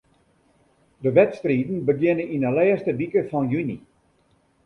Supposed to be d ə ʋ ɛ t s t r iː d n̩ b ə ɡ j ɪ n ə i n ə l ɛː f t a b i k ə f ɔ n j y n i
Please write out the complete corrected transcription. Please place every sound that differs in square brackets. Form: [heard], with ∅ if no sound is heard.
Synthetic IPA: d ə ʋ ɛ t s t r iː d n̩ b ə ɡ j ɪ n ə i n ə l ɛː [s] t [ə] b i k ə f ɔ n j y n i